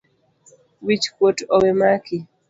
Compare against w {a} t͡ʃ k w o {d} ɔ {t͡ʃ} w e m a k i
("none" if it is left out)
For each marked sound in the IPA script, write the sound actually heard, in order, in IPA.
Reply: i, t, none

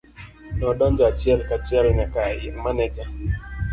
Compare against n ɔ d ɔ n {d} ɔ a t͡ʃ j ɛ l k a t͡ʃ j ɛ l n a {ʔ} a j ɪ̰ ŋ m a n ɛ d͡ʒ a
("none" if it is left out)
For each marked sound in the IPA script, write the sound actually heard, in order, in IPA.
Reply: d͡ʒ, k

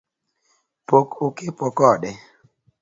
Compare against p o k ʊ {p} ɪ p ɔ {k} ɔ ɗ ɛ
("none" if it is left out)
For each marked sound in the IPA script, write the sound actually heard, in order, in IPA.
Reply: k, k

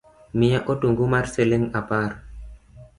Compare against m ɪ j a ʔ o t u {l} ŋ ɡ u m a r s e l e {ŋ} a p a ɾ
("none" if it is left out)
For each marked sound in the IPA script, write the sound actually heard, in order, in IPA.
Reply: none, ŋ

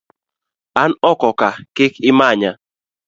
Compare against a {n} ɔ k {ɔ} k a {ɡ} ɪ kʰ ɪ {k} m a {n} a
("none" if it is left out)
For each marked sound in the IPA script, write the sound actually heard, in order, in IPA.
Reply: n, ɔ, k, none, ɲ

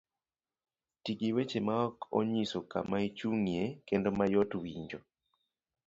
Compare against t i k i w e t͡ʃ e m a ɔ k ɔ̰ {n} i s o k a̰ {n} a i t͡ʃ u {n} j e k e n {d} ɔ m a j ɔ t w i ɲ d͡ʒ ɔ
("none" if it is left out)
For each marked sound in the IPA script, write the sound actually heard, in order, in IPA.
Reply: ɲ, m, ŋ, d

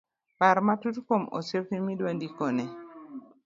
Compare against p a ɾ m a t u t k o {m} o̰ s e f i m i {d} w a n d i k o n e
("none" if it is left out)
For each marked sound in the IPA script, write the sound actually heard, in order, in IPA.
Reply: m, d

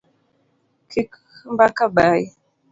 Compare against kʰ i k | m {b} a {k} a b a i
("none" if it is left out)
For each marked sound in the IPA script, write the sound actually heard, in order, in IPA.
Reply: b, k

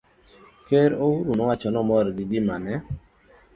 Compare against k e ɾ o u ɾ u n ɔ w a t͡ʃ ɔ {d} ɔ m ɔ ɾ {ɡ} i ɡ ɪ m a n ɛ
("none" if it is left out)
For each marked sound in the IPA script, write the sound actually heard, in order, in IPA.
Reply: n, ɡ

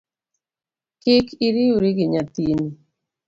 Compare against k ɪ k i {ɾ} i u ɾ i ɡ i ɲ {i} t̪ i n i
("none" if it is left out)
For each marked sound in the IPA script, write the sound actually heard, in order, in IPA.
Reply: ɾ, a

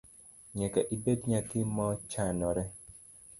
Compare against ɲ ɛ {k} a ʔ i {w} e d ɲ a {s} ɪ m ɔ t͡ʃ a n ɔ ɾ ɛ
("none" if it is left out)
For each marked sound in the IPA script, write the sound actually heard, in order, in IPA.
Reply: k, b, t

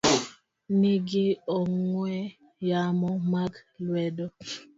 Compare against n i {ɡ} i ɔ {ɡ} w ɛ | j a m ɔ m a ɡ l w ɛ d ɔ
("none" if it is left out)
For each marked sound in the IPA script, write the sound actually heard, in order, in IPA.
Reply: ɡ, ŋ

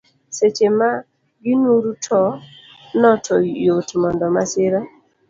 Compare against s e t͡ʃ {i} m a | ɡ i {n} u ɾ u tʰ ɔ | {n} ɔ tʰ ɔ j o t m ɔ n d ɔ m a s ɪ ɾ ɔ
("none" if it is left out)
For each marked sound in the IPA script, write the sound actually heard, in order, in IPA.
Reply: e, n, n

